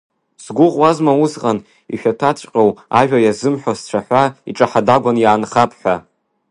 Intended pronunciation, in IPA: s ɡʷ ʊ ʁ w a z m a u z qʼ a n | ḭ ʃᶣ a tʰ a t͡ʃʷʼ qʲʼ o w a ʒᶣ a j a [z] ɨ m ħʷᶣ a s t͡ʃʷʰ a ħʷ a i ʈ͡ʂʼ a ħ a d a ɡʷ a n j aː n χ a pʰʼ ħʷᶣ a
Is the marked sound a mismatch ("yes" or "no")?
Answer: no